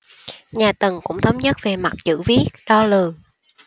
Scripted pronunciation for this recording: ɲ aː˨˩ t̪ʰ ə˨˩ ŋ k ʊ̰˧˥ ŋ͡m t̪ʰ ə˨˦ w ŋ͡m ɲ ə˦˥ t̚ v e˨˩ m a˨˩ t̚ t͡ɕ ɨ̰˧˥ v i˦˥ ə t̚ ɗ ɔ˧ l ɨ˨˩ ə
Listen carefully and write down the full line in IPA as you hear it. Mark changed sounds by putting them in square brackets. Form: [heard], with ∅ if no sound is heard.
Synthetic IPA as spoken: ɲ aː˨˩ [t̪] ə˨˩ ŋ k ʊ̰˧˥ ŋ͡m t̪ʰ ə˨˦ w ŋ͡m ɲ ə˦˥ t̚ v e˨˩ m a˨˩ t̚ t͡ɕ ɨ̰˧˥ v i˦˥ ə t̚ ɗ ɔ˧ l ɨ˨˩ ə

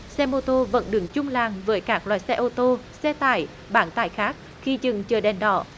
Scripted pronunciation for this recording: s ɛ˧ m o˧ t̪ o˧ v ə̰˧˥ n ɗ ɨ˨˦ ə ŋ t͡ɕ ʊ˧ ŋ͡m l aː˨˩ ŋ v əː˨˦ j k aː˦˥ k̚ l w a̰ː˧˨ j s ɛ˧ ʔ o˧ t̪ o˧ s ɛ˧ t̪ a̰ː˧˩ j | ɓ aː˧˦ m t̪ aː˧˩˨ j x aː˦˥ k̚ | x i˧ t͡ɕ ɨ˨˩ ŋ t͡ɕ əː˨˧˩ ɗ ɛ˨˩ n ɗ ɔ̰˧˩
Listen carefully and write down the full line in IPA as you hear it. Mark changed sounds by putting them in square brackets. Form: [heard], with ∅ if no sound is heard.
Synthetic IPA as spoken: s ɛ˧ m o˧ t̪ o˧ v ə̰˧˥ n ɗ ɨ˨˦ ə ŋ t͡ɕ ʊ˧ ŋ͡m l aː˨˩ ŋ v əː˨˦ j k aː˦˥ k̚ l w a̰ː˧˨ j s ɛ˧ ʔ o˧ t̪ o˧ s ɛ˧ t̪ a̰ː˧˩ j | ɓ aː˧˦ [n] t̪ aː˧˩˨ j x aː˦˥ k̚ | x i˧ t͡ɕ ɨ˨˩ ŋ t͡ɕ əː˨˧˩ ɗ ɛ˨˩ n ɗ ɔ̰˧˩

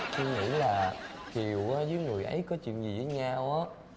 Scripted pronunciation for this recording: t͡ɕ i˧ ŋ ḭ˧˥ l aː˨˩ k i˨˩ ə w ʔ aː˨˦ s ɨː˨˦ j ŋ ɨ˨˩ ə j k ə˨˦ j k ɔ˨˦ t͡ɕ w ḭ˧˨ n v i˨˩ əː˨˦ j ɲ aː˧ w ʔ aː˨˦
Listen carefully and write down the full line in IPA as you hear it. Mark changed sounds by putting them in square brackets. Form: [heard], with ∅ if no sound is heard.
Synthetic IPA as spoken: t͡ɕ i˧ ŋ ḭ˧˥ l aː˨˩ k i˨˩ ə w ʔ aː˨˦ [z] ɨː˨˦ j ŋ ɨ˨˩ ə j [ʔ] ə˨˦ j k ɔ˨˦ t͡ɕ w ḭ˧˨ n [z] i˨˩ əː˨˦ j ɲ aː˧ w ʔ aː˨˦

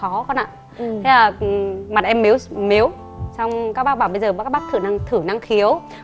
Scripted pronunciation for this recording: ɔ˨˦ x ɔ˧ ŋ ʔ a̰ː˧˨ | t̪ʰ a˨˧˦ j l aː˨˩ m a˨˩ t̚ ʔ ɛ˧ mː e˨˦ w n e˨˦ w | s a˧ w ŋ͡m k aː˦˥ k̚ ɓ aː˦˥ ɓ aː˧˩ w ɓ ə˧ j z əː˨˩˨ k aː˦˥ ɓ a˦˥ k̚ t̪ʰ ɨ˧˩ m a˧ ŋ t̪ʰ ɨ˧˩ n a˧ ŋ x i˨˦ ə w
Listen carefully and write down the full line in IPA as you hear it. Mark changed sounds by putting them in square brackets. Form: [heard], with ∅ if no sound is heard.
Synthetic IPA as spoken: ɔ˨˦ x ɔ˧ [n] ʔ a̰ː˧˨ | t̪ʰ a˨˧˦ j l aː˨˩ m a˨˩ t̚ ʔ ɛ˧ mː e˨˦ w [m] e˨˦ w | s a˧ w ŋ͡m k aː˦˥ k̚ ɓ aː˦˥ ɓ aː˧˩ w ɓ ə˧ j z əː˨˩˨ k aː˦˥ ɓ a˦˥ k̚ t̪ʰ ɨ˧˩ [n] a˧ ŋ t̪ʰ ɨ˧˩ n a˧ ŋ x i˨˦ ə w

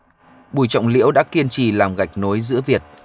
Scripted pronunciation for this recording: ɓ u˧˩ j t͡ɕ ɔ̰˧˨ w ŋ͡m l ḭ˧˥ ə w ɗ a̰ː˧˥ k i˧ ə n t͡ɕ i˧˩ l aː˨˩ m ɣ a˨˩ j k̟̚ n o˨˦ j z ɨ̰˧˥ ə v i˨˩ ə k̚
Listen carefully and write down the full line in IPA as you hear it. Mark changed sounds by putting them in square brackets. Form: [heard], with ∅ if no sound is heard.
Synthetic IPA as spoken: ɓ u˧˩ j t͡ɕ ɔ̰˧˨ w ŋ͡m l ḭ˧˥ ə w ɗ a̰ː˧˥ k i˧ ə n t͡ɕ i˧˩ l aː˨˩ m ɣ a˨˩ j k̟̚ n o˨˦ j z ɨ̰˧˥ ə v i˨˩ ə [t̚]

